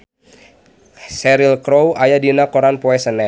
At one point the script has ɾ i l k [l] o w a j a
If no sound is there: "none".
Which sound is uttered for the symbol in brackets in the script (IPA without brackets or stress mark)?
ɾ